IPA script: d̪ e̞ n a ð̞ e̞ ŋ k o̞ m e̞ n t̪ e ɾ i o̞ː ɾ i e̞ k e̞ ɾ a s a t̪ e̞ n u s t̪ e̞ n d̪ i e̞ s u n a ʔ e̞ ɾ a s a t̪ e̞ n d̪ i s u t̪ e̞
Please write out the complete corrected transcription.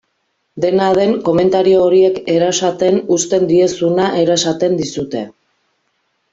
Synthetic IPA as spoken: d̪ e̞ n a ð̞ e̞ ŋ k o̞ m e̞ n t̪ a ɾ i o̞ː ɾ i e̞ k e̞ ɾ a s a t̪ e̞ n u s t̪ e̞ n d̪ i e̞ s u n a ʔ e̞ ɾ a s a t̪ e̞ n d̪ i s u t̪ e̞